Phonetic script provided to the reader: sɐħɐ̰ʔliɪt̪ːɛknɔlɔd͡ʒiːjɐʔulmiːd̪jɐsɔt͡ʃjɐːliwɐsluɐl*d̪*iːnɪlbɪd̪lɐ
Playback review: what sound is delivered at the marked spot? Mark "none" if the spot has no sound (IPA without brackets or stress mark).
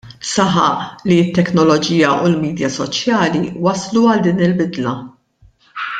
d̪